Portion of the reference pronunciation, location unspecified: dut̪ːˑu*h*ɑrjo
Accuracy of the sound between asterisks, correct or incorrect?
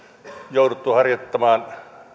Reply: correct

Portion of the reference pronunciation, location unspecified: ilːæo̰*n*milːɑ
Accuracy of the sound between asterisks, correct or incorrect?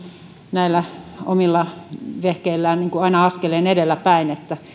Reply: incorrect: none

